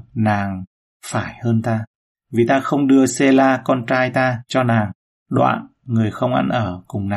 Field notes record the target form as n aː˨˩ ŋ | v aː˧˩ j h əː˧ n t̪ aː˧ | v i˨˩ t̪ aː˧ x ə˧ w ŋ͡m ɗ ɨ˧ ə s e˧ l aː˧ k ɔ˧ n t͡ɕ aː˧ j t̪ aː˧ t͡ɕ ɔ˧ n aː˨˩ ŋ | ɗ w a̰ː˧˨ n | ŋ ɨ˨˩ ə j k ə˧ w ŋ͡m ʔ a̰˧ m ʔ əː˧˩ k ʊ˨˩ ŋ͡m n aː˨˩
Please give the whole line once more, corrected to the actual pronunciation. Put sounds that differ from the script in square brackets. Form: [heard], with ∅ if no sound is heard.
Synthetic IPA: n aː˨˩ ŋ | [f] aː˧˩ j h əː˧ n t̪ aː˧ | v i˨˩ t̪ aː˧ x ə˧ w ŋ͡m ɗ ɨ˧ ə s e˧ l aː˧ k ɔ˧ n t͡ɕ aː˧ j t̪ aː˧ t͡ɕ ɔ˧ n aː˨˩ ŋ | ɗ w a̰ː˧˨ n | ŋ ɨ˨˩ ə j [x] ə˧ w ŋ͡m ʔ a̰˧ [n] ʔ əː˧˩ k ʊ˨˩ ŋ͡m n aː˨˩